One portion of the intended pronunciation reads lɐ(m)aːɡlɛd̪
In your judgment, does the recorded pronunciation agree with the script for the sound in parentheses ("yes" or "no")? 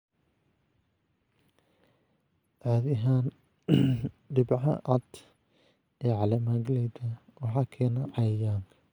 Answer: yes